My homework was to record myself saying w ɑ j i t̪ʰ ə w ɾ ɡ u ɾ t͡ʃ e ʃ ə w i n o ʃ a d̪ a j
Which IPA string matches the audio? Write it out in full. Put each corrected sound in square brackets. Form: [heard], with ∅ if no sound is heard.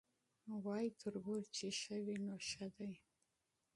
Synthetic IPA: w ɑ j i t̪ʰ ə [∅] ɾ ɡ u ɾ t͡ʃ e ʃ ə w i n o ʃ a d̪ a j